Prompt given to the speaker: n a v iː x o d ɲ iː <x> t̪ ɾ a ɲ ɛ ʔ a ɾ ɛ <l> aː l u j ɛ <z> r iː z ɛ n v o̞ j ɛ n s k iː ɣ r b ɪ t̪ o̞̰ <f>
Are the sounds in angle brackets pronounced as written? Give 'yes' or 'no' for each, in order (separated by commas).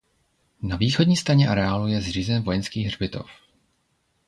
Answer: no, no, yes, yes